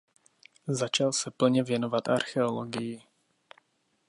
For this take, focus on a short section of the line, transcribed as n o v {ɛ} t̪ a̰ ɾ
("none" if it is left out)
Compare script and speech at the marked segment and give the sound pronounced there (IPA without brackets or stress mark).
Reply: a